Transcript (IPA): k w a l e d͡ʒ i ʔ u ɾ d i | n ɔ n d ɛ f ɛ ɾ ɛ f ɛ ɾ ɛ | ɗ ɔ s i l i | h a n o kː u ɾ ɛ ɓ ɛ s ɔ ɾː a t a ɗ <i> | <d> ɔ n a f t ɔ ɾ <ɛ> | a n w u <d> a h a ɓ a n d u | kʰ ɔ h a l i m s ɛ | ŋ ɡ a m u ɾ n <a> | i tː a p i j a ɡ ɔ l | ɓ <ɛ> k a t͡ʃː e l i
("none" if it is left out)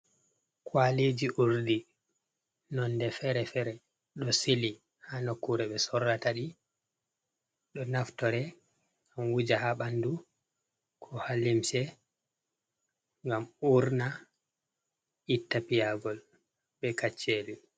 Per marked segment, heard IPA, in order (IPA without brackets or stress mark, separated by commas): i, ɗ, ɛ, d͡ʒ, a, ɛ